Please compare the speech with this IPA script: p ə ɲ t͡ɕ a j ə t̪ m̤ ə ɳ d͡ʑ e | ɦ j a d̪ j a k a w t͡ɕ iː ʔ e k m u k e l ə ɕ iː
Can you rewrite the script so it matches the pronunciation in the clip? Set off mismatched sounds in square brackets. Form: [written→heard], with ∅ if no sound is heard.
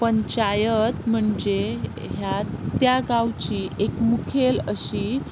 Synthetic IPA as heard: p ə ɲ t͡ɕ a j ə t̪ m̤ ə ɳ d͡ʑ e | ɦ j a [d̪→t̪] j a [k→ɡ] a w t͡ɕ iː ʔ e k m u [k→kʰ] e l ə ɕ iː